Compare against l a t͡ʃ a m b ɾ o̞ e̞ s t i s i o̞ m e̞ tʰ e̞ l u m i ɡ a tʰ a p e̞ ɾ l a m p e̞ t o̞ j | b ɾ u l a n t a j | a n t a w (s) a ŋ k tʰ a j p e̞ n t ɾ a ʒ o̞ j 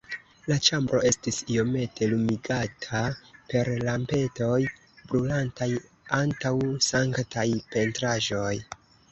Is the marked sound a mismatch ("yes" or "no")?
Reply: no